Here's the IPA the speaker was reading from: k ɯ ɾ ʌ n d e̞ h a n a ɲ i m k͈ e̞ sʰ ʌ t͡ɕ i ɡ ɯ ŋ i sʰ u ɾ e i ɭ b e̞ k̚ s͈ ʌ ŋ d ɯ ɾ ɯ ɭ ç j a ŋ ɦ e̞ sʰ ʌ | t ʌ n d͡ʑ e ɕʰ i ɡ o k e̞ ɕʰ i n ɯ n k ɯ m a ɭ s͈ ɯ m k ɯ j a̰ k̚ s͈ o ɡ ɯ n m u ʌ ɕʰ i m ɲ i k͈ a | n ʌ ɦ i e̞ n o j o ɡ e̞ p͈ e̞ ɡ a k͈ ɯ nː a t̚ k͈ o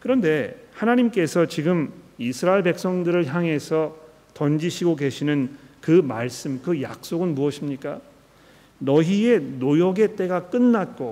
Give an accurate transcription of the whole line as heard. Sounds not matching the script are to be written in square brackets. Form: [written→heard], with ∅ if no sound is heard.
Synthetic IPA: k ɯ ɾ ʌ n d e̞ h a n a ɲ i m k͈ e̞ sʰ ʌ t͡ɕ i ɡ ɯ [ŋ→m] i sʰ [u→ɯ] ɾ [e→a] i ɭ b e̞ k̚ s͈ ʌ ŋ d ɯ ɾ ɯ ɭ ç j a ŋ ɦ e̞ sʰ ʌ | t ʌ n d͡ʑ [e→i] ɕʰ i ɡ o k e̞ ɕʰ i n ɯ n k ɯ m a ɭ s͈ ɯ m k ɯ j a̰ k̚ s͈ o ɡ ɯ n m u ʌ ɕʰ i m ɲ i k͈ a | n ʌ ɦ i e̞ n o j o ɡ e̞ [p͈→t͈] e̞ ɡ a k͈ ɯ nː a t̚ k͈ o